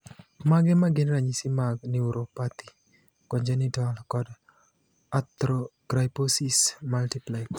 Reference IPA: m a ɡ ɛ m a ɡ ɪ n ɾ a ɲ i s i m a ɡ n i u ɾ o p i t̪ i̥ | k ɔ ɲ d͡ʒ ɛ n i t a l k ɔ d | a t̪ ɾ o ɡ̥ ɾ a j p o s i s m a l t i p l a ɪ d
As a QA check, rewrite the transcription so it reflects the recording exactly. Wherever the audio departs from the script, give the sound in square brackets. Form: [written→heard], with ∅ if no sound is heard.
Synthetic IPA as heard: m a ɡ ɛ m a ɡ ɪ n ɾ a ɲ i s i m a ɡ n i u ɾ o p [i→a] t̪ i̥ | k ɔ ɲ d͡ʒ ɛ n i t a l k ɔ d | a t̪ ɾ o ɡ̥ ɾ a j p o s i s m a l t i p l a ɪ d